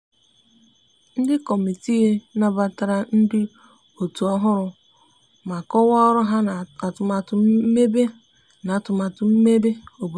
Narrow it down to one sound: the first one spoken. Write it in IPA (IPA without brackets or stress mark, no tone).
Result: n̩